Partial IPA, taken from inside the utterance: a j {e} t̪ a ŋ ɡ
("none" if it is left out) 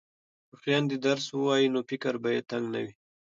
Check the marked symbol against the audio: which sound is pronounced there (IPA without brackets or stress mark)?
e